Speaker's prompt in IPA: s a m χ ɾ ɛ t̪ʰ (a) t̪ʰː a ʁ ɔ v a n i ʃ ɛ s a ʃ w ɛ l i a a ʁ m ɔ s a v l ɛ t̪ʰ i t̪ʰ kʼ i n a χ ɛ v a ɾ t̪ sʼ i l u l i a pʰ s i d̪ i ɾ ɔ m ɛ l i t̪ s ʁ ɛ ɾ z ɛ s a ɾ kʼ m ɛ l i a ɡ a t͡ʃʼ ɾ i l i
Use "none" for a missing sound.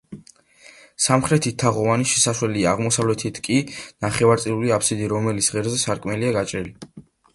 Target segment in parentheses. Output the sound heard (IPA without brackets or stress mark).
i